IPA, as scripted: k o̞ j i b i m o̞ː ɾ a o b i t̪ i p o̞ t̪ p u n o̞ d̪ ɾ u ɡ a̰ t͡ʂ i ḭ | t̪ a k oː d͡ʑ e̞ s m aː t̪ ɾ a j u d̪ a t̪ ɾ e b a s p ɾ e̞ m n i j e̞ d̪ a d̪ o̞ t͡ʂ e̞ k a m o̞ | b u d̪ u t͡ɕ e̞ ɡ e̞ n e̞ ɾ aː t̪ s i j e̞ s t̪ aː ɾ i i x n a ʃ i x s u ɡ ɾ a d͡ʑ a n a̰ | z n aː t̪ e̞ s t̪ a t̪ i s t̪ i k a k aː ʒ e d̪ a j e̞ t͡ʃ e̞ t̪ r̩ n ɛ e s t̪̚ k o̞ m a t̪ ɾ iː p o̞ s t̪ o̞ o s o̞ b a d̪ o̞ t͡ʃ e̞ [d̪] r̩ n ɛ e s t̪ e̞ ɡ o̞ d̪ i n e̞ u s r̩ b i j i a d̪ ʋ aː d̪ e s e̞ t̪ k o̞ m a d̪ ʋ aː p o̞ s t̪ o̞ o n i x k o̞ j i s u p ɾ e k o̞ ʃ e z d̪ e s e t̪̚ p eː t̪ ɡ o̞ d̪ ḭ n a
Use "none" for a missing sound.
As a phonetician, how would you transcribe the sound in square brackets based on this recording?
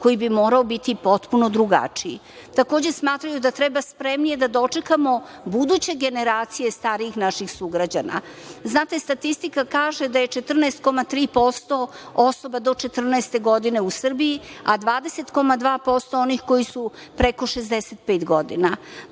t̪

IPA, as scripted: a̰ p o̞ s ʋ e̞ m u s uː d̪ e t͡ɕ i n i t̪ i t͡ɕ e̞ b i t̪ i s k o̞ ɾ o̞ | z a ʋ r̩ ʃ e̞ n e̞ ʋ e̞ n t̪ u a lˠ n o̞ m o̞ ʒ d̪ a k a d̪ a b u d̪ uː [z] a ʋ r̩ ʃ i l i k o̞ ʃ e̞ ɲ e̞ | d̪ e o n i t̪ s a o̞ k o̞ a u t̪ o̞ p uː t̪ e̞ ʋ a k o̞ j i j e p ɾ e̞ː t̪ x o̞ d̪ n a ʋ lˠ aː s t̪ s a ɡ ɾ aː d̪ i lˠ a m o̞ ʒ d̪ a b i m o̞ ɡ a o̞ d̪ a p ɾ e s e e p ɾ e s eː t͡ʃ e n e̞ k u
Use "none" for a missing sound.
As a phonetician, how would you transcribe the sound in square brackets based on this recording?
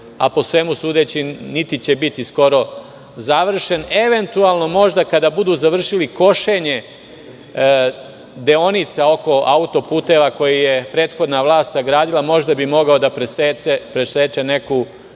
z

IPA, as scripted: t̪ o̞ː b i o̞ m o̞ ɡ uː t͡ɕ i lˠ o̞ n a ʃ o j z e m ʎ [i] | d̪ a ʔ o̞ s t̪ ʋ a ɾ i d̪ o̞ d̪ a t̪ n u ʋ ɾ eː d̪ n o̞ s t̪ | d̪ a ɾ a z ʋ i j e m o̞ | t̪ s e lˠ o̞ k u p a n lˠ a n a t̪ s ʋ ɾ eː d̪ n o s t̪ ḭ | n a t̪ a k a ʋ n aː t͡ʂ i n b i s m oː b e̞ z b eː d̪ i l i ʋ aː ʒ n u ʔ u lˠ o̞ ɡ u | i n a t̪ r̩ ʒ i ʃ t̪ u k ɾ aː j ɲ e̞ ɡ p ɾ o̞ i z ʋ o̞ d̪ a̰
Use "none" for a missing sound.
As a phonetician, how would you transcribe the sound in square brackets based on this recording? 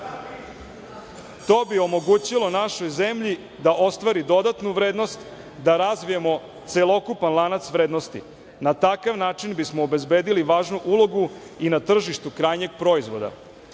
i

